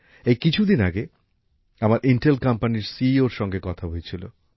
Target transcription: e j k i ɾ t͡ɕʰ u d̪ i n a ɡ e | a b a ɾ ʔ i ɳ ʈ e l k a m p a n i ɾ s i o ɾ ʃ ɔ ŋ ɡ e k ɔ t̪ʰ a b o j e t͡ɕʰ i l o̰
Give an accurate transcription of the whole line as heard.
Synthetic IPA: e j k i t͡ɕʰ u d̪ i n a ɡ e | a m a ɾ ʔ i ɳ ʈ e l k a m p a n i ɾ s i o ɾ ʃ ɔ ŋ ɡ e k ɔ t̪ʰ a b o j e t͡ɕʰ i l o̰